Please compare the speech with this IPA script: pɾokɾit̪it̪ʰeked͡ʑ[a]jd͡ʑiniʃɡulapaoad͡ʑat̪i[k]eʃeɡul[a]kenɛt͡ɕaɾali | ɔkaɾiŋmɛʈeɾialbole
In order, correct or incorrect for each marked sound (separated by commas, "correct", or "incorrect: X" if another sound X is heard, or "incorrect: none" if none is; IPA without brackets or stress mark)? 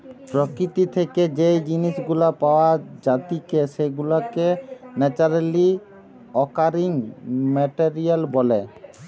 incorrect: e, correct, correct